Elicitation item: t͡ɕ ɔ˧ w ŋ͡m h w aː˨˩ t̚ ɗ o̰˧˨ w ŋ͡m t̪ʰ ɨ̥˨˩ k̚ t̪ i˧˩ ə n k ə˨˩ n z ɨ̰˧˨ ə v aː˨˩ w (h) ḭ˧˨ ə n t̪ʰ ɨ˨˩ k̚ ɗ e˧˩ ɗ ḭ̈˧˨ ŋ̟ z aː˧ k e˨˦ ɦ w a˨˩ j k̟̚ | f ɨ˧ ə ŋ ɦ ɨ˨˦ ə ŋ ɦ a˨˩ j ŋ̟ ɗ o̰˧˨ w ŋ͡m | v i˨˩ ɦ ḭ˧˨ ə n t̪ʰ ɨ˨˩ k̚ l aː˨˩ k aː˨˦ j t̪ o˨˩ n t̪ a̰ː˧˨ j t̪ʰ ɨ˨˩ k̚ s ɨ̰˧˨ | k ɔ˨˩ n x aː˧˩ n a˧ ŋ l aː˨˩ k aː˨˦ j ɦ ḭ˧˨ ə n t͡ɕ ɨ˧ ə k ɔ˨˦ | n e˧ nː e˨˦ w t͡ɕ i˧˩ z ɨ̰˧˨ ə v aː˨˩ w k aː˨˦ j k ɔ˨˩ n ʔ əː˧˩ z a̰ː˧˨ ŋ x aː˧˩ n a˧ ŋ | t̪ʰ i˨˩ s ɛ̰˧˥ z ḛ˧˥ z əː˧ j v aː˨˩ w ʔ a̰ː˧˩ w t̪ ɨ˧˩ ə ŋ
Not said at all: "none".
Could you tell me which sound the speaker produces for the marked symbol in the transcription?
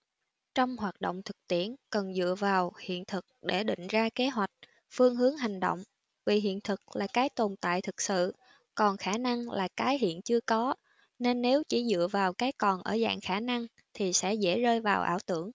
h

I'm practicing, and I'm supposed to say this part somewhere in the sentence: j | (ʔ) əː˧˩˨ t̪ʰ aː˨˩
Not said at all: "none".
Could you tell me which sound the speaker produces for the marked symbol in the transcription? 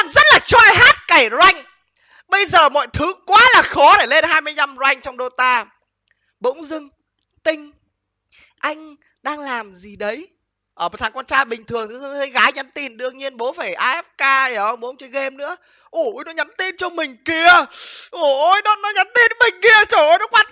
ʔ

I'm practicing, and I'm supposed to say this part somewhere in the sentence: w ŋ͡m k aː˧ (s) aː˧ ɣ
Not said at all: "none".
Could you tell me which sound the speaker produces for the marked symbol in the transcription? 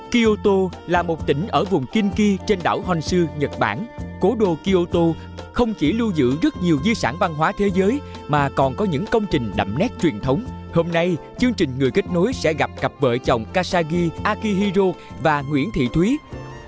s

